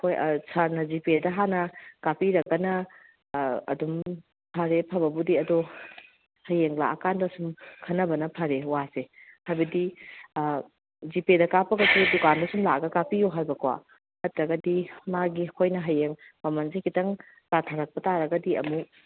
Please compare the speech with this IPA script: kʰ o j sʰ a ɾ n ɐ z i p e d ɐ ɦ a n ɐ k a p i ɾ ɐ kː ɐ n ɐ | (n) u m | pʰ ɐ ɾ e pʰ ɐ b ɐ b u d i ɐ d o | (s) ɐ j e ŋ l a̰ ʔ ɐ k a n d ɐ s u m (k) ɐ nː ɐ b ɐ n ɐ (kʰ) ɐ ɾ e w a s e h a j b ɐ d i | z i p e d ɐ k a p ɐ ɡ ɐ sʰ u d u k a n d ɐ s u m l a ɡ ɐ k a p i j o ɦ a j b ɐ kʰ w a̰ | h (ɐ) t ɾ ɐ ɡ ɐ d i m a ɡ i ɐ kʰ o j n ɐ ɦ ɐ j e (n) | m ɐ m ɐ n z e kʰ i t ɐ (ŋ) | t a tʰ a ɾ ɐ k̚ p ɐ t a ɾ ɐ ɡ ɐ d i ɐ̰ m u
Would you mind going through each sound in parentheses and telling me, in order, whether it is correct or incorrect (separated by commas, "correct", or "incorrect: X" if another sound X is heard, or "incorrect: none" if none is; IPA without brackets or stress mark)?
incorrect: d, incorrect: h, incorrect: kʰ, incorrect: pʰ, correct, incorrect: ŋ, correct